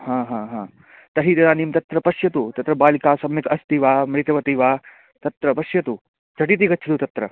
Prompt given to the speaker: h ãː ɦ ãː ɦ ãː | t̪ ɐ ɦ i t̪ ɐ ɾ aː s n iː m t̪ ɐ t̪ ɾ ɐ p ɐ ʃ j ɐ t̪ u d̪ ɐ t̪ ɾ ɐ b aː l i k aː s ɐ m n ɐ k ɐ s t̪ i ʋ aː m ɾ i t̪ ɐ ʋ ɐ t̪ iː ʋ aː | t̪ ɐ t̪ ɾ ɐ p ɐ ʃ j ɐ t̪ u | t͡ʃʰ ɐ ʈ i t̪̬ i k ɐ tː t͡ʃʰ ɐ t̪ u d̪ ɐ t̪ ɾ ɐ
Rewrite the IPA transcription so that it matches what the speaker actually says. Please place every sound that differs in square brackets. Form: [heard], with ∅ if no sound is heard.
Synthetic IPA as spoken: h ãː ɦ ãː ɦ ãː | t̪ ɐ ɦ i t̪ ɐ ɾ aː [∅] n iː m t̪ ɐ t̪ ɾ ɐ p ɐ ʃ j ɐ t̪ u [t̪] ɐ t̪ ɾ ɐ b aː l i k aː s ɐ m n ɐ k ɐ s t̪ i ʋ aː m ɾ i t̪ ɐ ʋ ɐ t̪ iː ʋ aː | t̪ ɐ t̪ ɾ ɐ p ɐ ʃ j ɐ t̪ u | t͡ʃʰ ɐ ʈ i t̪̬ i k ɐ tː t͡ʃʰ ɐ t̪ u [t̪] ɐ t̪ ɾ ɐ